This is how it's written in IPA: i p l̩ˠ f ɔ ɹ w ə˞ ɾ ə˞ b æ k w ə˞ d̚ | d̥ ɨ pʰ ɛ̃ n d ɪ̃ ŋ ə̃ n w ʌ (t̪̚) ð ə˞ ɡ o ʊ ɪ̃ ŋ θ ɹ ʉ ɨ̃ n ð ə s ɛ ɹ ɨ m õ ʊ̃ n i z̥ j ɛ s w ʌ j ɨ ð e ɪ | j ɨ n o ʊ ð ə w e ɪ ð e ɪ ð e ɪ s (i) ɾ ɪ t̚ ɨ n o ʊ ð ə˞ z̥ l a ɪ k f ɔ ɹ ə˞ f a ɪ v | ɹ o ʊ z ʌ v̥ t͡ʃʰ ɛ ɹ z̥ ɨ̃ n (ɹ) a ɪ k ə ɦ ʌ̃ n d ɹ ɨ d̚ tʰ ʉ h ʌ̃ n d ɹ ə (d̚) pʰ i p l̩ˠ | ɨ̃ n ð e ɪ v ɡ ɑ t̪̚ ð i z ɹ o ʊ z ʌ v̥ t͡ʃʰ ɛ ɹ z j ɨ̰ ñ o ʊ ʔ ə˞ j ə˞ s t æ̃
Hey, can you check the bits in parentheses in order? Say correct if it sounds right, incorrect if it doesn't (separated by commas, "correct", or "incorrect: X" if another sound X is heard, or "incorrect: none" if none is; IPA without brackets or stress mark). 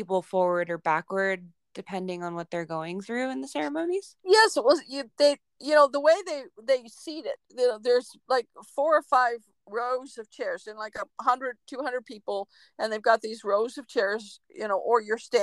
correct, correct, incorrect: l, correct